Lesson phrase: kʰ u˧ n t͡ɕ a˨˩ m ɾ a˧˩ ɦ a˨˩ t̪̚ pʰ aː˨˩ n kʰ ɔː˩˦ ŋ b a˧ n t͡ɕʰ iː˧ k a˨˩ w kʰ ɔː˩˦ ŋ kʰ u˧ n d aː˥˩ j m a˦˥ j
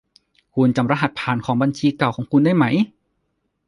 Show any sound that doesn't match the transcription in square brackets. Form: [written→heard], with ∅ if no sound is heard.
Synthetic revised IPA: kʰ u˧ n t͡ɕ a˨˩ m ɾ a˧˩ ɦ a˨˩ t̪̚ pʰ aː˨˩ n kʰ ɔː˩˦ ŋ b a˧ n t͡ɕʰ iː˧ k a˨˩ w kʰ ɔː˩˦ ŋ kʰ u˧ n d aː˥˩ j m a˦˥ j